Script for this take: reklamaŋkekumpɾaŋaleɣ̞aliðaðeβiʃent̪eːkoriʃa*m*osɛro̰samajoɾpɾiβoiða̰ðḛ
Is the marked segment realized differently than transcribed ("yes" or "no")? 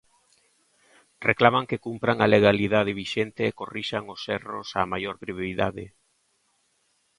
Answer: yes